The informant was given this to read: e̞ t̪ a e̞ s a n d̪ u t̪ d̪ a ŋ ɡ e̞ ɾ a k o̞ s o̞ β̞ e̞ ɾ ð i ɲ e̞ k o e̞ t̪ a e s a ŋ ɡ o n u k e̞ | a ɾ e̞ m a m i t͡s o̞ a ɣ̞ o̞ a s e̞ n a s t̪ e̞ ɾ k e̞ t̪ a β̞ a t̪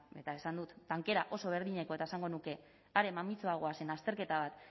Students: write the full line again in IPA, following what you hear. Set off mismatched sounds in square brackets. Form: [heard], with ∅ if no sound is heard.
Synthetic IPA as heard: e̞ t̪ a e̞ s a n d̪ u t̪ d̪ a ŋ [k] e̞ ɾ a [ʔ] o̞ s o̞ β̞ e̞ ɾ ð i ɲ e̞ k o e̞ t̪ a e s a ŋ ɡ o n u k e̞ | a ɾ e̞ m a m i t͡s o̞ a ɣ̞ o̞ a s e̞ n a s t̪ e̞ ɾ k e̞ t̪ a β̞ a t̪